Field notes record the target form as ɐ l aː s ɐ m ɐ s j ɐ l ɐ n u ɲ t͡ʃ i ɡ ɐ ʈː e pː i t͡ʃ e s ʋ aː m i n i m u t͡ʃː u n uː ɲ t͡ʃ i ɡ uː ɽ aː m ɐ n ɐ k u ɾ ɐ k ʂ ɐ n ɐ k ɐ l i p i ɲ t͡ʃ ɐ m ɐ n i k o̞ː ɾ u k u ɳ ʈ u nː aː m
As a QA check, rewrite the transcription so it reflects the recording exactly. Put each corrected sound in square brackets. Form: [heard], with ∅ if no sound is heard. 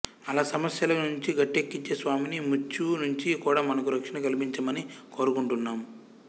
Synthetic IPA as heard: ɐ l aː s ɐ m ɐ s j ɐ l ɐ n u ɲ t͡ʃ i ɡ ɐ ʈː e [kː] i t͡ʃ e s ʋ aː m i n i m u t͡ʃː u n [u] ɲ t͡ʃ i [k] uː ɽ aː m ɐ n ɐ k u ɾ ɐ k ʂ ɐ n ɐ k ɐ l i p i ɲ t͡ʃ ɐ m ɐ n i k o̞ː ɾ u k u ɳ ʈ u nː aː m